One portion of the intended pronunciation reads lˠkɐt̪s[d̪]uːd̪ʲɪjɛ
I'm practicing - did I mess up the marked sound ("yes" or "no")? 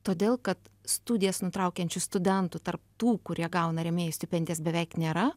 yes